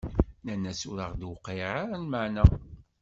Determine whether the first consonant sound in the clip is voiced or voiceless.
voiced